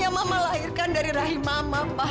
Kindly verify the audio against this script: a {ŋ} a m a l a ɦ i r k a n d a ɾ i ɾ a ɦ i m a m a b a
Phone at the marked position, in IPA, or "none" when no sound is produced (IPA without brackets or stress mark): m